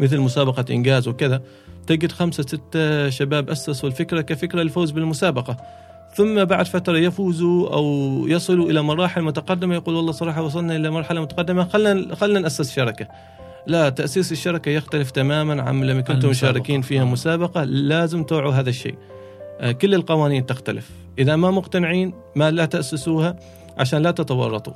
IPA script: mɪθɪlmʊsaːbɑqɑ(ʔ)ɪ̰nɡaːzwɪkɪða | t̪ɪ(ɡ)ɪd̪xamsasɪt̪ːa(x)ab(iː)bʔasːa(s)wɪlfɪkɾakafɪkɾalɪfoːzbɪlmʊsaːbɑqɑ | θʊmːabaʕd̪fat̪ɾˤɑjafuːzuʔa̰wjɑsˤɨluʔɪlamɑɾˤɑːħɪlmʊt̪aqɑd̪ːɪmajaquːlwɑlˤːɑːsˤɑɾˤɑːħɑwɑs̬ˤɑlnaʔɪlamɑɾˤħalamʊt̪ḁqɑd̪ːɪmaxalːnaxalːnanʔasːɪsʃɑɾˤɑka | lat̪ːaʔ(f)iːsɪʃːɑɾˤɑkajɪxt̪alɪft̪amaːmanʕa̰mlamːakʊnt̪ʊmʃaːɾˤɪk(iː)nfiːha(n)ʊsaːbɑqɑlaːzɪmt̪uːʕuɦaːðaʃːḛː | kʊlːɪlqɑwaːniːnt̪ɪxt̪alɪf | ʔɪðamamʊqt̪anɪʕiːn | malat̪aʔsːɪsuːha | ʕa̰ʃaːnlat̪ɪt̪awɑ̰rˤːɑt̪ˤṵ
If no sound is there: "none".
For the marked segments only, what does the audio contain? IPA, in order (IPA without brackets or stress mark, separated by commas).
ʔ, ɡ, ʃ, aː, s, s, iː, m